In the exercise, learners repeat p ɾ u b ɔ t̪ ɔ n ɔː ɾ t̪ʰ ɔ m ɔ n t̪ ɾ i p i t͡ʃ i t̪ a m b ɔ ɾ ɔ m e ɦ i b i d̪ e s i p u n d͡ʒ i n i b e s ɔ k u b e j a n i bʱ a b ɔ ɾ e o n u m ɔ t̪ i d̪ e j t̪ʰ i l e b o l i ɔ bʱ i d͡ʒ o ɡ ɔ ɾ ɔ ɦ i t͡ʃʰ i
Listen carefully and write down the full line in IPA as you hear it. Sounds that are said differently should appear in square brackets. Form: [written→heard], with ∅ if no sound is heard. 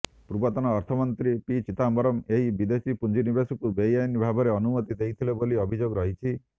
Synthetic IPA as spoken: p ɾ u b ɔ t̪ ɔ n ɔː ɾ t̪ʰ ɔ m ɔ n t̪ ɾ i p i t͡ʃ i t̪ a m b ɔ ɾ ɔ m e ɦ i b i d̪ e s i p u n d͡ʒ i n i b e s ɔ k u b e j a n i bʱ a b ɔ ɾ e [o→ɔ] n u m ɔ t̪ i d̪ e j t̪ʰ i l e b o l i ɔ bʱ i d͡ʒ o ɡ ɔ ɾ ɔ ɦ i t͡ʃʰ i

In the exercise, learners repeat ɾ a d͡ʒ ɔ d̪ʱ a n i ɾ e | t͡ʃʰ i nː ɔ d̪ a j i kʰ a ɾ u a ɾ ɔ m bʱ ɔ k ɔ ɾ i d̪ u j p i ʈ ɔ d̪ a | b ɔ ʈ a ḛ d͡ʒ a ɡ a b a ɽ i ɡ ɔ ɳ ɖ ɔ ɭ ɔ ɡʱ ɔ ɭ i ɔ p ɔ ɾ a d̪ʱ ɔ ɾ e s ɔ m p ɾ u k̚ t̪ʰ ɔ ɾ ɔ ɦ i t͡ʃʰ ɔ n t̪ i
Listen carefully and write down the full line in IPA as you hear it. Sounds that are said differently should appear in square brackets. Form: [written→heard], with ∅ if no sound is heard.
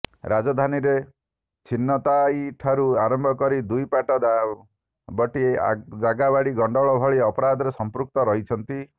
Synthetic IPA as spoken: ɾ a d͡ʒ ɔ d̪ʱ a n i ɾ e | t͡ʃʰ i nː ɔ [d̪→t̪] a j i [kʰ→ʈʰ] a ɾ u a ɾ ɔ m bʱ ɔ k ɔ ɾ i d̪ u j p [i→a] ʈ ɔ d̪ a | b ɔ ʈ [a→i] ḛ d͡ʒ a ɡ a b a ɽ i ɡ ɔ ɳ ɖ ɔ ɭ ɔ [ɡʱ→bʱ] ɔ ɭ i ɔ p ɔ ɾ a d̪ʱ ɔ ɾ e s ɔ m p ɾ u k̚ [t̪ʰ→t̪] ɔ ɾ ɔ ɦ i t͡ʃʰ ɔ n t̪ i

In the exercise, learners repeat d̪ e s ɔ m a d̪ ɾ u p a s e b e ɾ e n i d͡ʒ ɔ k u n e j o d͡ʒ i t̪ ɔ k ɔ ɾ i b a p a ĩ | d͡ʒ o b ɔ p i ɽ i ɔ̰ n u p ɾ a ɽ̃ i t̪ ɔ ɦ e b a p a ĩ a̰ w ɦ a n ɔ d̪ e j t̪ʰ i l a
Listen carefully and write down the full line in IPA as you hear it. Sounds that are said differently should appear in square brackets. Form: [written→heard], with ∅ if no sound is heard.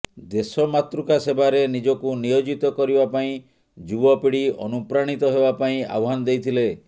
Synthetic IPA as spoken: d̪ e s ɔ m a [d̪→t̪] ɾ u [p→k] a s e b [e→a] ɾ e n i d͡ʒ ɔ k u n [e→i] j o d͡ʒ i t̪ ɔ k ɔ ɾ i b a p a ĩ | d͡ʒ [o→u] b ɔ p i ɽ i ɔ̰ n u p ɾ a ɽ̃ i t̪ ɔ ɦ e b a p a ĩ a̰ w ɦ a n ɔ d̪ e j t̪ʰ i l [a→e]

